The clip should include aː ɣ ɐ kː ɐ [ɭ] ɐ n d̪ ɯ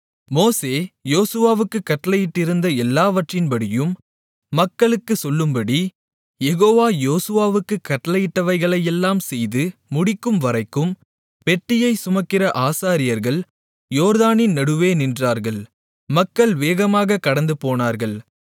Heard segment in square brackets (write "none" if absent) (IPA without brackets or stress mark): ɽ